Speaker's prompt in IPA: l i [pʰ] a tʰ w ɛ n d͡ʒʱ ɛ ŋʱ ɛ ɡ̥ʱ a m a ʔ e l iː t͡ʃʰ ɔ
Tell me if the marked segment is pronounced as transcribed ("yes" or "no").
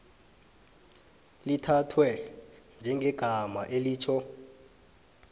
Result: no